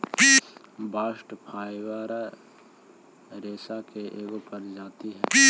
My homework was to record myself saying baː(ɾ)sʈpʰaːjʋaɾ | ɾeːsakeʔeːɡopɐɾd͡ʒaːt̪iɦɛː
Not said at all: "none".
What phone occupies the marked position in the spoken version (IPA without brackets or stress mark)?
none